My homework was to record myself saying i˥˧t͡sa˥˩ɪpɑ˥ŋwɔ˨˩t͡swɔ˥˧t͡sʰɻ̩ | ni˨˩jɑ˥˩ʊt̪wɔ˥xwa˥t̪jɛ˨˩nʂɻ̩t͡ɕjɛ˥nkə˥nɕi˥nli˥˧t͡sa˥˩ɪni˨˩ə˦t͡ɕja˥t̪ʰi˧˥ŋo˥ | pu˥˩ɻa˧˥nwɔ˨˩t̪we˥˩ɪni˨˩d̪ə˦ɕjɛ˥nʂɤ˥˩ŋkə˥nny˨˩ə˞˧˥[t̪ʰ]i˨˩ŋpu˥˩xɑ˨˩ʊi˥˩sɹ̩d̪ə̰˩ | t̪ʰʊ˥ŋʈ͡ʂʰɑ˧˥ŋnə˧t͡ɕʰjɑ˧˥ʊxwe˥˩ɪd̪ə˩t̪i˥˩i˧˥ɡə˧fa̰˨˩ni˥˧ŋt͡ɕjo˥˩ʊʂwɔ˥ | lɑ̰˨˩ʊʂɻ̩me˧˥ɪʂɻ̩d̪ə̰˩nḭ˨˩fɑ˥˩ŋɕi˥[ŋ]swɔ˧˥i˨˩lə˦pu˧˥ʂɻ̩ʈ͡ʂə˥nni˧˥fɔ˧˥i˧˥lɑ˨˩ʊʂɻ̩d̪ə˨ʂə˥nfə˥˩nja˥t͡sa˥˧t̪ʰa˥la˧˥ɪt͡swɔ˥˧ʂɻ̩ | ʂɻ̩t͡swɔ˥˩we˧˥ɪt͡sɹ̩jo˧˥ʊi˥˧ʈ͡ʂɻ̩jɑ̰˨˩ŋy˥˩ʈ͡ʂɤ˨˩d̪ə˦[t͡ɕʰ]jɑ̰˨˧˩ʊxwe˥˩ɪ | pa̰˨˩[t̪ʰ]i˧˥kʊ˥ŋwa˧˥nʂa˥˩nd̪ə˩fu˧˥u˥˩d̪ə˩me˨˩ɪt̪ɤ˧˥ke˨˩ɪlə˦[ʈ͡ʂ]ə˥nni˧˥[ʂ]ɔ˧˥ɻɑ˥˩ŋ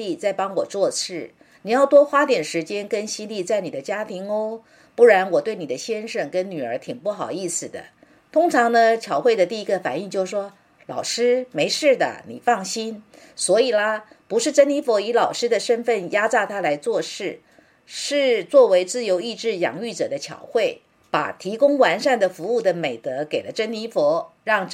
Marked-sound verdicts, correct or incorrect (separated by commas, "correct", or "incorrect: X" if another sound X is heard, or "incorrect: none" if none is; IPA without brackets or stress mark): correct, incorrect: n, correct, correct, correct, incorrect: f